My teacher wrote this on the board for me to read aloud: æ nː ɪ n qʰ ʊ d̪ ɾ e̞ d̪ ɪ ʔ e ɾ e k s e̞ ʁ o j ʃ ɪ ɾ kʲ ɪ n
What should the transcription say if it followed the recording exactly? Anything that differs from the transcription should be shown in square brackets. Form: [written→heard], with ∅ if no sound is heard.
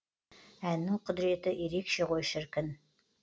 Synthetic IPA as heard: æ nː ɪ [n→ŋ] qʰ ʊ d̪ ɾ e̞ [d̪→t̪] ɪ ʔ e ɾ e k [s→ʃ] e̞ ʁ o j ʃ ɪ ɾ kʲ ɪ n